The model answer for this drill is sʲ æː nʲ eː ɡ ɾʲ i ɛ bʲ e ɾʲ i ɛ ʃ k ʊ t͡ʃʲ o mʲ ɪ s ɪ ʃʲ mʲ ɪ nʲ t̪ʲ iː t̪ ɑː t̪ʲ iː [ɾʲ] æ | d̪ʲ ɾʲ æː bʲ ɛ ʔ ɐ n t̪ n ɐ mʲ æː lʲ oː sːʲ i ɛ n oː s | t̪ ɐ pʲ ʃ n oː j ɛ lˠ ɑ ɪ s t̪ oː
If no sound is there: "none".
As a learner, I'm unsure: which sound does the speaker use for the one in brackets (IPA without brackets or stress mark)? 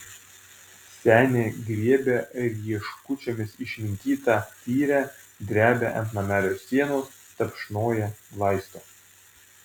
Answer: ɾʲ